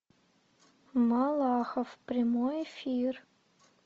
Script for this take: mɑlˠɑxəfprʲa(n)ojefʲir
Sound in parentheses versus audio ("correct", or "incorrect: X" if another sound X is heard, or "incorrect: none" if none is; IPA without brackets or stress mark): incorrect: m